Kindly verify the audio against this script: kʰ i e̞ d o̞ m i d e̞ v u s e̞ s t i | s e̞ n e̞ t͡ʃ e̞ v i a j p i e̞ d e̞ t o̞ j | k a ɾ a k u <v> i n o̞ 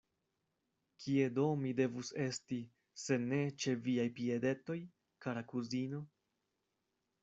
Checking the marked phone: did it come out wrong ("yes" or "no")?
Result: yes